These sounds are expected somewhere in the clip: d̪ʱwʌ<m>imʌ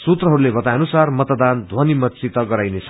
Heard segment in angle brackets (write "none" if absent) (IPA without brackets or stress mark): n